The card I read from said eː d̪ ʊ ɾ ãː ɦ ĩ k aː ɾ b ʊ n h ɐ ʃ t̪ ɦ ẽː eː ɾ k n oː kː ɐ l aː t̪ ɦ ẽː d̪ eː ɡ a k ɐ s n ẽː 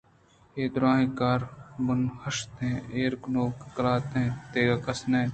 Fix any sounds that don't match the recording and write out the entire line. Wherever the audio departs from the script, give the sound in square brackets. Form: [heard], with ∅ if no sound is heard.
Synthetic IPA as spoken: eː d̪ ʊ ɾ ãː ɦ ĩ k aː ɾ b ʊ n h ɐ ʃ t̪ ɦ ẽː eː ɾ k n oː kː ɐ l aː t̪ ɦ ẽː [t̪] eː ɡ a k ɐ s n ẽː